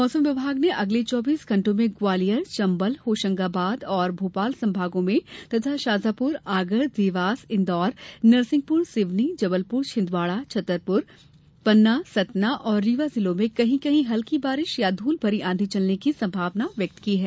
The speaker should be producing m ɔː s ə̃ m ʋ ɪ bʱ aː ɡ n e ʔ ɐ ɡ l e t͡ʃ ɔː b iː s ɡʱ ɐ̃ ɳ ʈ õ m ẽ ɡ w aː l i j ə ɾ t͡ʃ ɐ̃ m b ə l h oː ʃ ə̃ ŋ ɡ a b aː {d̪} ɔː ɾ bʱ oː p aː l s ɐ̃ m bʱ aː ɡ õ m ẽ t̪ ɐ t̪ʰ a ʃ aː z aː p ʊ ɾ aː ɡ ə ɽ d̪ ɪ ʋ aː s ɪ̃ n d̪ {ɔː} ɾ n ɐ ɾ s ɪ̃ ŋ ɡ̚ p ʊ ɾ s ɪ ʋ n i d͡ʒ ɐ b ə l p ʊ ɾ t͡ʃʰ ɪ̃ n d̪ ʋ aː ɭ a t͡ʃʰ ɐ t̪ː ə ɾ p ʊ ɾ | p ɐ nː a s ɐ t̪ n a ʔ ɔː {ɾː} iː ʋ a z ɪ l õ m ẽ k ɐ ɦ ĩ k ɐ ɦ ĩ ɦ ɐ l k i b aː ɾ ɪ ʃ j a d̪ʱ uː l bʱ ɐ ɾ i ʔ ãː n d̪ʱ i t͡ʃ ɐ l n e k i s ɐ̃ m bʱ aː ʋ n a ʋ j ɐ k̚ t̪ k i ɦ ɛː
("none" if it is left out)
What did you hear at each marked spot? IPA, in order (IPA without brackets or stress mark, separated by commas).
d̪, ɔː, ɾː